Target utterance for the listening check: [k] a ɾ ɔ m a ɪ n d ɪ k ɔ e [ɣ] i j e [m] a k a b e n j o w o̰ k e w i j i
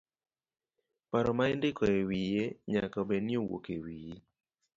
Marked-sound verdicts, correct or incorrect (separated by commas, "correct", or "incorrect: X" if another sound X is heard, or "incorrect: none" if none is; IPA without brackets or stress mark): incorrect: p, incorrect: w, incorrect: ɲ